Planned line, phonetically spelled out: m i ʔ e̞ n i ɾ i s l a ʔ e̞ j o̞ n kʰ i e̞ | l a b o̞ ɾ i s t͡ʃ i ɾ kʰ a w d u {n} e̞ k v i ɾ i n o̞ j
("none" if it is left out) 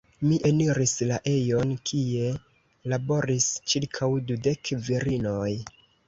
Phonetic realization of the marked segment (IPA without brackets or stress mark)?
d